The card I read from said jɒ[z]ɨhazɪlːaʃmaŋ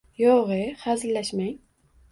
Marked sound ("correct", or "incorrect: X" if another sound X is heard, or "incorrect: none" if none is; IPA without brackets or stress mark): incorrect: ʁ